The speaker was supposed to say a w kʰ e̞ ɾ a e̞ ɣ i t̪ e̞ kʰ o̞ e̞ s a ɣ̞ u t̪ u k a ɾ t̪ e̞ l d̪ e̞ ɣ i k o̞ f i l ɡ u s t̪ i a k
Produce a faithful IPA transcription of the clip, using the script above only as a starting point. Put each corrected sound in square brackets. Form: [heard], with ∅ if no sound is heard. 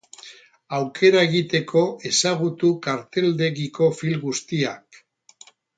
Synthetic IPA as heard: a w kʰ e̞ ɾ a e̞ ɣ i t̪ e̞ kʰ o̞ e̞ s a ɣ̞ u t̪ u k a ɾ t̪ e̞ l d̪ e̞ ɣ i k o̞ f i l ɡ u s t̪ i a k

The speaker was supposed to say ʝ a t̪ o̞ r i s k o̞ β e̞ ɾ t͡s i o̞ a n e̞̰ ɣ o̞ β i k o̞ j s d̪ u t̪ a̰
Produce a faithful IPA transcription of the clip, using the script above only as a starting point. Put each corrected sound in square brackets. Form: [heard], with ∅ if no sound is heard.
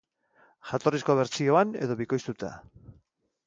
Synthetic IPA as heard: ʝ a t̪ o̞ r i s k o̞ β e̞ ɾ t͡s i o̞ a n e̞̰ [ð] o̞ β i k o̞ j s [t̪] u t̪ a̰

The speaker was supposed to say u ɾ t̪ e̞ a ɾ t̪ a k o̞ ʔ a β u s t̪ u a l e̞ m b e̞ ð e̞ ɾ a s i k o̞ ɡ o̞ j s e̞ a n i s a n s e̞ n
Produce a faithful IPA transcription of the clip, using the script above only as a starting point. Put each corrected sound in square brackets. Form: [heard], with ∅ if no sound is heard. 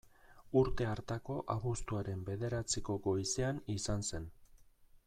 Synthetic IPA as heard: u ɾ t̪ e̞ a ɾ t̪ a k o̞ ʔ a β u s t̪ u a [ɾ] e̞ m b e̞ ð e̞ ɾ a [t͡s] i k o̞ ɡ o̞ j s e̞ a n i s a n s e̞ n

